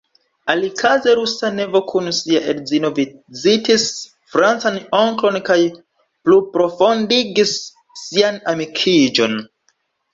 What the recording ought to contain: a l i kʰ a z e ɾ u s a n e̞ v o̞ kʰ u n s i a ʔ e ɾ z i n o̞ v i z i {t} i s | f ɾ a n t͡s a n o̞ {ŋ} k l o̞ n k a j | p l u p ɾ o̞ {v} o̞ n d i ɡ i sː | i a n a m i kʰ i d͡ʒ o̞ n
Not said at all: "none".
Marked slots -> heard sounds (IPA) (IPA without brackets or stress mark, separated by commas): t, ŋ, f